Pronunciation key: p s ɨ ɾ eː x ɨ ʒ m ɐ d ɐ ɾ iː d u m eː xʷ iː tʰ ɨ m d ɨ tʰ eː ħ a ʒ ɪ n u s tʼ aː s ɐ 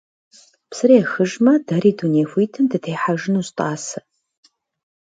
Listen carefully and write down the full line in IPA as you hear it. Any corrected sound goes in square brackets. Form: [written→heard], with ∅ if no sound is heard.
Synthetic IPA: p s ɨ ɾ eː x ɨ ʒ m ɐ d ɐ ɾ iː d u [m→n] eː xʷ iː tʰ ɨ m d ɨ tʰ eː ħ a ʒ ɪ n u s tʼ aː s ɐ